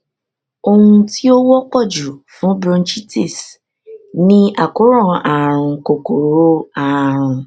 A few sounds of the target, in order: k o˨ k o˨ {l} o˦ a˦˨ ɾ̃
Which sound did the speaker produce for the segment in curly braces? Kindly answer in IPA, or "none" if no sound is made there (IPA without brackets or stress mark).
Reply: ɾ